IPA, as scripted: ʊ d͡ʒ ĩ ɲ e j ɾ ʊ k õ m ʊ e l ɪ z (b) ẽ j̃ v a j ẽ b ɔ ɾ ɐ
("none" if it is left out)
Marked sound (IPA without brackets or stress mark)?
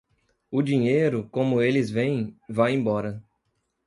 v